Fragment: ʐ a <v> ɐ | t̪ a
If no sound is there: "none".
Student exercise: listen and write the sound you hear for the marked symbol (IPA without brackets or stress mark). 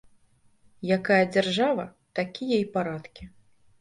v